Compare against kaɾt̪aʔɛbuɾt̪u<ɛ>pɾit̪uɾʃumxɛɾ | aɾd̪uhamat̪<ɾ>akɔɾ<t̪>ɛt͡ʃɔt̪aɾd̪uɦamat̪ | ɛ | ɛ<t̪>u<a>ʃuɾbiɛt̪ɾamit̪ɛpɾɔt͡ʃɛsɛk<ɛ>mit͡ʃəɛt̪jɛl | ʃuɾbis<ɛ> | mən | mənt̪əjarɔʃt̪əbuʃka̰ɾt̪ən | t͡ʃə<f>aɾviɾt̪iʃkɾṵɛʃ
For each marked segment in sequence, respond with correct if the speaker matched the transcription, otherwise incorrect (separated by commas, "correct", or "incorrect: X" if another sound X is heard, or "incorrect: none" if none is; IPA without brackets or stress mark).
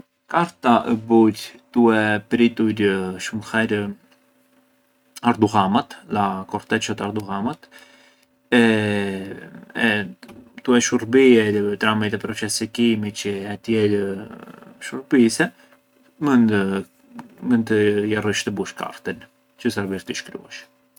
correct, incorrect: l, correct, correct, incorrect: ɛ, incorrect: i, correct, incorrect: s